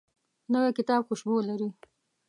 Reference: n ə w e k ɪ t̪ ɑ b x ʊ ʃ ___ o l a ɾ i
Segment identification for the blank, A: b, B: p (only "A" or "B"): A